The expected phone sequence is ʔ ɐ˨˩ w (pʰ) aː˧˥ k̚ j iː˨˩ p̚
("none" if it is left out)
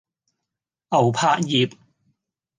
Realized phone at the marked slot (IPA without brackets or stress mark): pʰ